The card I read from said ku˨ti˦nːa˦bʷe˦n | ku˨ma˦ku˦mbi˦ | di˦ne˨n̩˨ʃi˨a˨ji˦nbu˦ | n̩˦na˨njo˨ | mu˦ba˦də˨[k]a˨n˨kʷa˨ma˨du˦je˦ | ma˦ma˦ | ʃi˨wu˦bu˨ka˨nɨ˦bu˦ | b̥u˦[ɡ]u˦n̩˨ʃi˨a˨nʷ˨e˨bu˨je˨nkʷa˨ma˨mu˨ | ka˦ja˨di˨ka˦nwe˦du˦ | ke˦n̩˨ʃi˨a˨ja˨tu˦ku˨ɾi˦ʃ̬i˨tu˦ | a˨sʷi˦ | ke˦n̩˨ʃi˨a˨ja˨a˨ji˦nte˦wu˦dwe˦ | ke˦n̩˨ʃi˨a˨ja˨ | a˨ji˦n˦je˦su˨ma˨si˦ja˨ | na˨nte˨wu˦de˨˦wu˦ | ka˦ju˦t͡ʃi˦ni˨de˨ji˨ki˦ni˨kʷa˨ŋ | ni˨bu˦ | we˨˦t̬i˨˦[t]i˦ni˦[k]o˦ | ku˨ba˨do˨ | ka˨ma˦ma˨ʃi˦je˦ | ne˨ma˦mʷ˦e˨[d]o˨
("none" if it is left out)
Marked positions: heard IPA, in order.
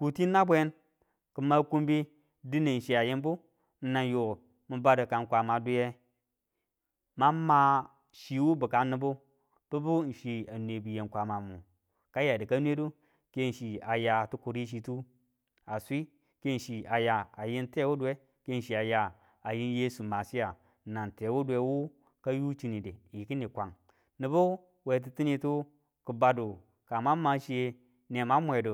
k, b, t, t, d

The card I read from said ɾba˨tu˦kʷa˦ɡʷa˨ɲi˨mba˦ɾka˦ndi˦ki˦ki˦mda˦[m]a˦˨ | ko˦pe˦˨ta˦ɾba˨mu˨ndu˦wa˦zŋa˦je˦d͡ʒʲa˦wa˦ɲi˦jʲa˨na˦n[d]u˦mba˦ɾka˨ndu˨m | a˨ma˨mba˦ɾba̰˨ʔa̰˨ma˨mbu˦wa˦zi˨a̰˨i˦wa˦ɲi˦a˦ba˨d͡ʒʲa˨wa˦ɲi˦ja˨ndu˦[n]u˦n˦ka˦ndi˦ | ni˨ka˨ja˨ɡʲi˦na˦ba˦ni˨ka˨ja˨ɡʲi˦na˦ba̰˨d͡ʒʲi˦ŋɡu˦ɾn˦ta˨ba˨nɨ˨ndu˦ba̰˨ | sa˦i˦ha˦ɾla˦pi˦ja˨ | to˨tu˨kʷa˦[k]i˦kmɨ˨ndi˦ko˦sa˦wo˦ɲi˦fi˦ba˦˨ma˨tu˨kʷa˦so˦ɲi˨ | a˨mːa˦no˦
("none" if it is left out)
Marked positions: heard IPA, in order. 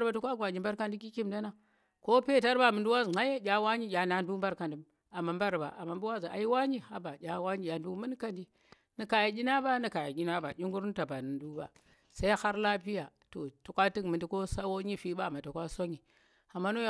n, d, m, t

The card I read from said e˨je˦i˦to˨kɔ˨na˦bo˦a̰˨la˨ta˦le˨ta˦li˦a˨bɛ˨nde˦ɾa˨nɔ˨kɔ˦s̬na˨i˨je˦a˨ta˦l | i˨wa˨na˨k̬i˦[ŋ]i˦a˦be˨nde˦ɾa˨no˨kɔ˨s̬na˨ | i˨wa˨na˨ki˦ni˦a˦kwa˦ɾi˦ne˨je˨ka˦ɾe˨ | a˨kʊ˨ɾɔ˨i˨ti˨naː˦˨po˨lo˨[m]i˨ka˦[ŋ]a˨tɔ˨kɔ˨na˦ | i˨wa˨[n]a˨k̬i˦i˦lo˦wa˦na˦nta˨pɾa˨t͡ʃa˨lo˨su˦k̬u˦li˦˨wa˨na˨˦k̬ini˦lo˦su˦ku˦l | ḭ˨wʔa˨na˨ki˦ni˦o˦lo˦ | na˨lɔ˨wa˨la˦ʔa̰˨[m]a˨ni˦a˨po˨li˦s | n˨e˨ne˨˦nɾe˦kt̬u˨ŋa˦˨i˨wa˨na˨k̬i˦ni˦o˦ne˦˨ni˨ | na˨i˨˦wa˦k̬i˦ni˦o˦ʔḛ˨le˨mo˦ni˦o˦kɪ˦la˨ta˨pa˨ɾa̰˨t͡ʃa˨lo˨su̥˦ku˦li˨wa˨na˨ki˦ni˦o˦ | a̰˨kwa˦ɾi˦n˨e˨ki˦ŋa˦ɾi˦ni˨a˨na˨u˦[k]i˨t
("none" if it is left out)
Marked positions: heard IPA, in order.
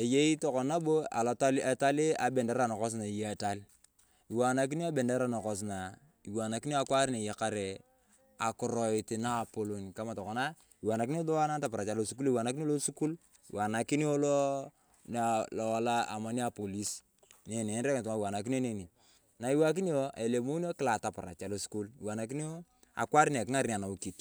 n, n, m, n, m, k

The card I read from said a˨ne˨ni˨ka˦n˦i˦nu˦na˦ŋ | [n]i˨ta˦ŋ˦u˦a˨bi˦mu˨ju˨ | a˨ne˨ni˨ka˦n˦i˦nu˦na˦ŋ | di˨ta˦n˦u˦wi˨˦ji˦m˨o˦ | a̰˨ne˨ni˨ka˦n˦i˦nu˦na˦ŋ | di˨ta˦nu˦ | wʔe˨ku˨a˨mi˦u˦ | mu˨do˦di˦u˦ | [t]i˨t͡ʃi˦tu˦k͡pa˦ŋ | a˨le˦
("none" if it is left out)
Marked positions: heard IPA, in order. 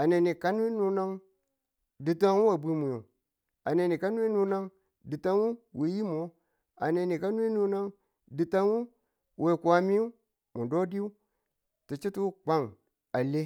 d, t

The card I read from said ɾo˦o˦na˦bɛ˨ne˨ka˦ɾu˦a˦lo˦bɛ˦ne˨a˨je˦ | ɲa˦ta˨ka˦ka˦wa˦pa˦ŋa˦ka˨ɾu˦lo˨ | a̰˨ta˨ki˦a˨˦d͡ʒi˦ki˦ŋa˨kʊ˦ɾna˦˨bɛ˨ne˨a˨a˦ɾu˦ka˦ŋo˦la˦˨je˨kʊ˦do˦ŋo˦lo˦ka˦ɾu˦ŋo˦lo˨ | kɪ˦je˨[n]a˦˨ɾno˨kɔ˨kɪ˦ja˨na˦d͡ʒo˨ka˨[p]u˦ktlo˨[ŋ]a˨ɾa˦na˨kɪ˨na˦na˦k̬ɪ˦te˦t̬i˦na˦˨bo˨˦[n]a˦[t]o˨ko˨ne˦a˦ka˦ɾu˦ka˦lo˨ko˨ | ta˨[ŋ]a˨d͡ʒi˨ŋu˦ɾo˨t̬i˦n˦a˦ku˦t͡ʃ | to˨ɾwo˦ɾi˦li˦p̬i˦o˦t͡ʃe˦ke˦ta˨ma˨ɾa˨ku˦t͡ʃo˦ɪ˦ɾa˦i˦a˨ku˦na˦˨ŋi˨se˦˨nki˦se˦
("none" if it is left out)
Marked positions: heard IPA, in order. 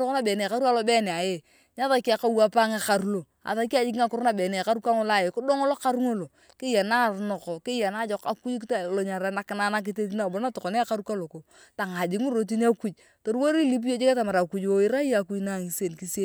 n, k, ɲ, n, t, ŋ

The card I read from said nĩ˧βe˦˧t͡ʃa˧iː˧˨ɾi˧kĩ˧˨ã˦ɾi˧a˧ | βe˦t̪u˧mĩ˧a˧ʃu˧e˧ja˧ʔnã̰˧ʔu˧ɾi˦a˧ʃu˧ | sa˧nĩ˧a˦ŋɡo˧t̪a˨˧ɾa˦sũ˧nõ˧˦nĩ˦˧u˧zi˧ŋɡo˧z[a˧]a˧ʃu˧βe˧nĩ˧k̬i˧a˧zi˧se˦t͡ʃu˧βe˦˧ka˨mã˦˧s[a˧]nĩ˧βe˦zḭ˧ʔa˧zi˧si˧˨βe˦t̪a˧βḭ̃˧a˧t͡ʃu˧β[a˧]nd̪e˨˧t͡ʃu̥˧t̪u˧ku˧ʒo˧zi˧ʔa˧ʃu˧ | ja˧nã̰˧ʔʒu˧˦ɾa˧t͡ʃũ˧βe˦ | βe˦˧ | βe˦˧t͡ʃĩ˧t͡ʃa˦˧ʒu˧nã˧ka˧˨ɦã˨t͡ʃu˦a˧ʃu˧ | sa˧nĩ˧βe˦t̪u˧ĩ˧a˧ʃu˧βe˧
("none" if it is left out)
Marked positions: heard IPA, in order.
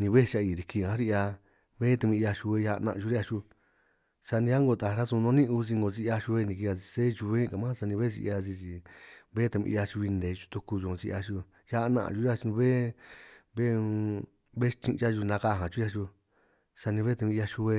i˧, a˧, i˧

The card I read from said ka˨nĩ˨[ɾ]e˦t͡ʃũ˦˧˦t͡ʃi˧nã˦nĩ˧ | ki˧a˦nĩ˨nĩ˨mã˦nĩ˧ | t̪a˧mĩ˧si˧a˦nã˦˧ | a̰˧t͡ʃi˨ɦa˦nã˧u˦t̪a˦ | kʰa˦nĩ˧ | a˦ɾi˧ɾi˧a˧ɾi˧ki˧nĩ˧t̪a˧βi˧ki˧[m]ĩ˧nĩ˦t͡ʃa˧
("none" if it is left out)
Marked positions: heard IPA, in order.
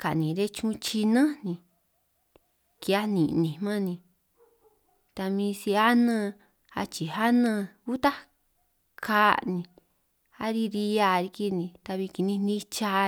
ɾ, n

